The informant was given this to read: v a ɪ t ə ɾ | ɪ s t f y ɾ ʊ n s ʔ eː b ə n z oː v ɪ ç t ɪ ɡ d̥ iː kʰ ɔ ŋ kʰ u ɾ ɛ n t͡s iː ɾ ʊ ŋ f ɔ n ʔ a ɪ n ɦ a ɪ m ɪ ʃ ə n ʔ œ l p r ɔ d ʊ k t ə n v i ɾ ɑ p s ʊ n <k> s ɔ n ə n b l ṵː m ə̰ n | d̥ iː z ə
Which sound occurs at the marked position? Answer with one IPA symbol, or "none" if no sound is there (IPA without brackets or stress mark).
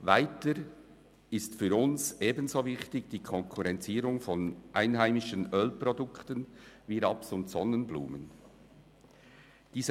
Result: t